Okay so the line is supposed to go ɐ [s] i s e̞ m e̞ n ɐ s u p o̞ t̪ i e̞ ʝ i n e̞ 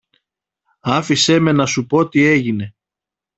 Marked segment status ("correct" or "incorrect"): incorrect